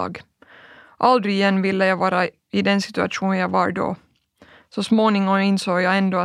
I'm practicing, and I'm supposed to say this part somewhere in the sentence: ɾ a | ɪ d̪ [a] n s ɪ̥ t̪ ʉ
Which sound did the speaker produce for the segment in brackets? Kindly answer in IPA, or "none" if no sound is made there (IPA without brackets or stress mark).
ɛ